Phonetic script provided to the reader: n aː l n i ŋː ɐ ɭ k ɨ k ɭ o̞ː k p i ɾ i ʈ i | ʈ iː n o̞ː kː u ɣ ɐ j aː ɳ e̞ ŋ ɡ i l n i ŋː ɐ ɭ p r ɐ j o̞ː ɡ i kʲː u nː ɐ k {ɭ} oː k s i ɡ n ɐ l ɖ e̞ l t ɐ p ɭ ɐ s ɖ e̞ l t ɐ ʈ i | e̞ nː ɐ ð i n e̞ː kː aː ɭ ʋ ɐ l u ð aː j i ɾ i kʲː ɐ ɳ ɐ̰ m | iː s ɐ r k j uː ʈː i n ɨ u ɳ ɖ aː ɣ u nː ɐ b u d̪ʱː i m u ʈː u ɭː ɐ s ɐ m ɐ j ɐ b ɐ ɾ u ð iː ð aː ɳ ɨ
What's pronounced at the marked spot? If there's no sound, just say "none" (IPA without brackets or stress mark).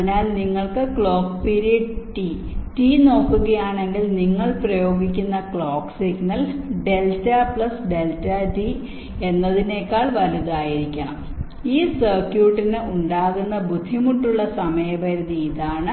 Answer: ɭ